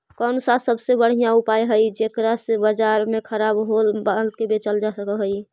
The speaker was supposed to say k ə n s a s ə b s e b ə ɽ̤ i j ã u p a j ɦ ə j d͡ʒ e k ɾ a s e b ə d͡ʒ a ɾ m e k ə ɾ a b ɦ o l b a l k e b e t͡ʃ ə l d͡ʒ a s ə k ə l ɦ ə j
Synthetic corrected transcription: k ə n s a s ə b s e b ə ɽ̤ i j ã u p a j ɦ ə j d͡ʒ e k ɾ a s e b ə d͡ʒ a ɾ m e kʰ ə ɾ a b ɦ o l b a l k e b e t͡ʃ ə l d͡ʒ a s ə k ə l ɦ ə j